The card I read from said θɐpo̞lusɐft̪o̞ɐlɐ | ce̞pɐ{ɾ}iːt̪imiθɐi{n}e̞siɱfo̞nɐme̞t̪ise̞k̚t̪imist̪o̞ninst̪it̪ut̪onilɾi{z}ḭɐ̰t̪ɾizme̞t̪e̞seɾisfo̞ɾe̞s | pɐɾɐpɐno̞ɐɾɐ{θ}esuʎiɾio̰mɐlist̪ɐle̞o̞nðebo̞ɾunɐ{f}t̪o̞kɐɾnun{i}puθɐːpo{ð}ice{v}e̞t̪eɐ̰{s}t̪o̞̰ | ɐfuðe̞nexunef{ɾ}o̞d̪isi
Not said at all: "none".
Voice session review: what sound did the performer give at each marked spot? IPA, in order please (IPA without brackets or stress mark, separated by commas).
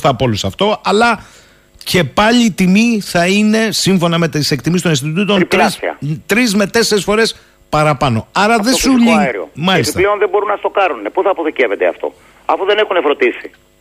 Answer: ʎ, n, s, ð, s, e, ð, v, f, ɾ